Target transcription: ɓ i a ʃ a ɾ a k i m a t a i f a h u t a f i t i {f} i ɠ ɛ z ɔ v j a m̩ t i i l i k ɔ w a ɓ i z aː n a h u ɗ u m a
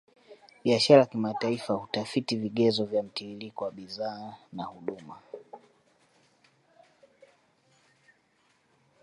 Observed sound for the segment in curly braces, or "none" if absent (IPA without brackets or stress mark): v